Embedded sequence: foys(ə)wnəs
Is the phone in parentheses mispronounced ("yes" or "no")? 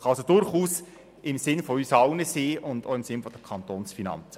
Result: yes